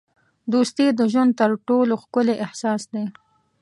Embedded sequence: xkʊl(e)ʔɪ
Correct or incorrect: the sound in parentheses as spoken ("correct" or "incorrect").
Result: correct